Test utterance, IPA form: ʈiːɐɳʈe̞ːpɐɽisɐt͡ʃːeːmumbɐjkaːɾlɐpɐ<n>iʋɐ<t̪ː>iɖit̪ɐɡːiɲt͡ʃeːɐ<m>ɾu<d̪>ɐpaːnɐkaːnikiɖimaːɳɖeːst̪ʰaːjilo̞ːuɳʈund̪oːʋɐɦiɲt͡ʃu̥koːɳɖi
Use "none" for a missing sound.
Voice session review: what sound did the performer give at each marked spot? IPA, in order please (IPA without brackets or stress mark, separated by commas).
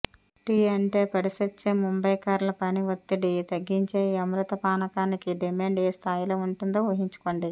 n, t̪ː, m, t̪